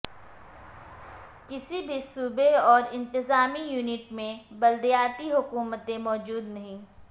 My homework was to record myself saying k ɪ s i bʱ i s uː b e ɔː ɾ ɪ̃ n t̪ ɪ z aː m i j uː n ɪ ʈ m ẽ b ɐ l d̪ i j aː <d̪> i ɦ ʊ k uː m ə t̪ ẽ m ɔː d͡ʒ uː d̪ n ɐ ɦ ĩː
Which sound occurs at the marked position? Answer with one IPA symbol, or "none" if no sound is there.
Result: t̪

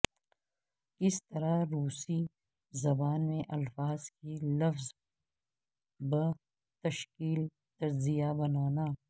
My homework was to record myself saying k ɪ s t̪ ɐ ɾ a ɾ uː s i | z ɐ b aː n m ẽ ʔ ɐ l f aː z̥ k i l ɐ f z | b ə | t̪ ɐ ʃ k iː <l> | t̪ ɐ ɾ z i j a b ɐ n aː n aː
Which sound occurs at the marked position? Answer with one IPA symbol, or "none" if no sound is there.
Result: l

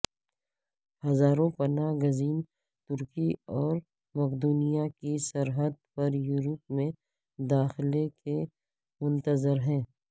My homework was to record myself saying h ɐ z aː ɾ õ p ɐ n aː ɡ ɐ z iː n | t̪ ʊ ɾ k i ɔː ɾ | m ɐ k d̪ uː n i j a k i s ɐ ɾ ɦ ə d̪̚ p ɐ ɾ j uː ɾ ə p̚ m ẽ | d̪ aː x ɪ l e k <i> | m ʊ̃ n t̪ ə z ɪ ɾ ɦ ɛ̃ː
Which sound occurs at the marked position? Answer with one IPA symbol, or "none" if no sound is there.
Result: e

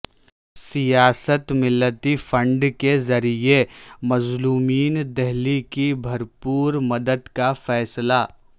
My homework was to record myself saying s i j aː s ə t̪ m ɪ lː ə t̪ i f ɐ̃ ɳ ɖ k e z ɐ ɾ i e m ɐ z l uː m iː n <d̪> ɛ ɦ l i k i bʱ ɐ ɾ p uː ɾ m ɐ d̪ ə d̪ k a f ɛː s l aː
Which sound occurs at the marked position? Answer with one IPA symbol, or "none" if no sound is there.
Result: d̪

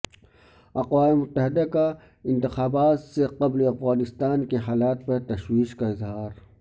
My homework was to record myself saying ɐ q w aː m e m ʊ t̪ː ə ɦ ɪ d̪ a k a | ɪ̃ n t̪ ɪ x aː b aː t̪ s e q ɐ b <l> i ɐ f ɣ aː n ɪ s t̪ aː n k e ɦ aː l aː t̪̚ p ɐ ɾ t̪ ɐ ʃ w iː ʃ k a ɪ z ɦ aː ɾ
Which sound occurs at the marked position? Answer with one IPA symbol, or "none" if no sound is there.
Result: l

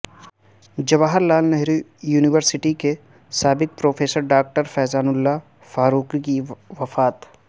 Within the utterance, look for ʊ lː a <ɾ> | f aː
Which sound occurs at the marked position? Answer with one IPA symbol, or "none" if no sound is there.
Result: none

